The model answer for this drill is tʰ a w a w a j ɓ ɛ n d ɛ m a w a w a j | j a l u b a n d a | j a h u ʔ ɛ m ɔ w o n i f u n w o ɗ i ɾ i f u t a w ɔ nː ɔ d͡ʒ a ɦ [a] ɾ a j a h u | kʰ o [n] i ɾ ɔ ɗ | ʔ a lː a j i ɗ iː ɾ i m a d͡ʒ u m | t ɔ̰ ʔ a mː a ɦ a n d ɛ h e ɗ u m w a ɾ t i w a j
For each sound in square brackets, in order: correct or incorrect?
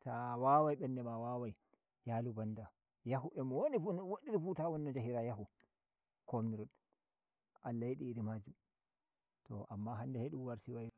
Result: incorrect: i, incorrect: m

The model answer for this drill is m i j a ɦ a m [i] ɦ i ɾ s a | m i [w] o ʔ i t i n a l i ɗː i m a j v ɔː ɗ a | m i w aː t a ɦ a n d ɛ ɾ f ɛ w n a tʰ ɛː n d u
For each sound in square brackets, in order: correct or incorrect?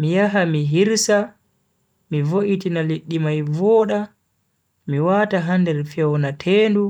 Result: correct, incorrect: v

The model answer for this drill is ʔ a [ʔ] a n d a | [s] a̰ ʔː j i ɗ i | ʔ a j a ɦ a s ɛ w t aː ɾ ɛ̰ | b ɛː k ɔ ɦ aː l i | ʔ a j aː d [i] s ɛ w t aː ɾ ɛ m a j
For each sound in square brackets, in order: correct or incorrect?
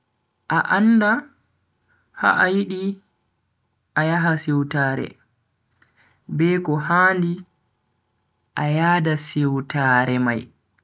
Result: correct, incorrect: h, incorrect: a

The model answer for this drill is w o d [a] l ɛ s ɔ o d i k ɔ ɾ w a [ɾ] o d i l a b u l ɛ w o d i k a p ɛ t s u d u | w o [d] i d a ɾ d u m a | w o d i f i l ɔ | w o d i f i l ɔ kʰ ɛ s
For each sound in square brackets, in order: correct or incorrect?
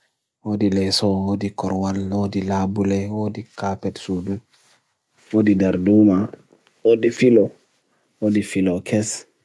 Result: incorrect: i, incorrect: l, correct

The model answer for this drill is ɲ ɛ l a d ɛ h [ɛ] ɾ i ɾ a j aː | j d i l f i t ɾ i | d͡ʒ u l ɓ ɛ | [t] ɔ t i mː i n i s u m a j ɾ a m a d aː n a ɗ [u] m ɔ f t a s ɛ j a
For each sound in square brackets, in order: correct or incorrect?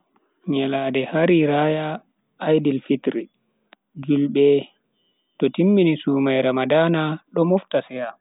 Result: incorrect: a, correct, incorrect: ɔ

